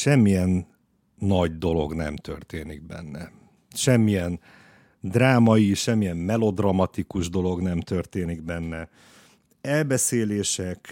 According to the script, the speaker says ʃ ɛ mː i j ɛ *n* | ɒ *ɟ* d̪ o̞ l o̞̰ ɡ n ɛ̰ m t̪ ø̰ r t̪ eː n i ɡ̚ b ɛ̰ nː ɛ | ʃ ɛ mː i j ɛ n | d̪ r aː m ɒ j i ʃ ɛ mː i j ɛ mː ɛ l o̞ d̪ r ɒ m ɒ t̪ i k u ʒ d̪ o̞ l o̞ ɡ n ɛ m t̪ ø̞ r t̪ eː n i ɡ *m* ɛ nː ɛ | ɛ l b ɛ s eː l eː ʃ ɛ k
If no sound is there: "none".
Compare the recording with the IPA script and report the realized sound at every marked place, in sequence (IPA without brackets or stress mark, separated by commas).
nː, ɟ, b